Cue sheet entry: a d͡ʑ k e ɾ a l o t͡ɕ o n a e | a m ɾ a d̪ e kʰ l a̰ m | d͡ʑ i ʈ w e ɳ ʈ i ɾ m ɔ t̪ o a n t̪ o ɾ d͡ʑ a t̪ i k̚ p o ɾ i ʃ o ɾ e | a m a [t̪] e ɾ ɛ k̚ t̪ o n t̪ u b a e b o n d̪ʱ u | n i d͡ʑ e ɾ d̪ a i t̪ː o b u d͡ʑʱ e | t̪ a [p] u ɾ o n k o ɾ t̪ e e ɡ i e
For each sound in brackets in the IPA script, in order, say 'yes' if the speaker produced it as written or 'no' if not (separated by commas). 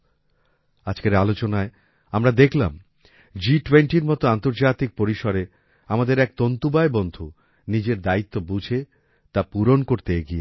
no, yes